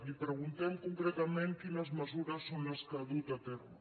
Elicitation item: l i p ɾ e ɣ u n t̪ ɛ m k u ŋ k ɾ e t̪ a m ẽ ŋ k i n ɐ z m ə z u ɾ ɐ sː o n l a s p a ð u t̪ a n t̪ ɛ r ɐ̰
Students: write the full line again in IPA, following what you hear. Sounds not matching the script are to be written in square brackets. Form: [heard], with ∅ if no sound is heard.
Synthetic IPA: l i p ɾ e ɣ u n t̪ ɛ m k u ŋ k ɾ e t̪ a m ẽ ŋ k i n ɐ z m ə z u ɾ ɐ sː o n l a s [k] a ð u t̪ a [∅] t̪ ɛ r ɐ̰